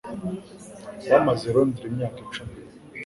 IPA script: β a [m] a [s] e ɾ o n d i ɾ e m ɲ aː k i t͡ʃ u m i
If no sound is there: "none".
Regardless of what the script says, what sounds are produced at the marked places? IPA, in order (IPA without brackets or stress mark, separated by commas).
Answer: m, z